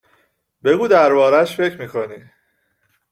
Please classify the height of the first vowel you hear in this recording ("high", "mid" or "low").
mid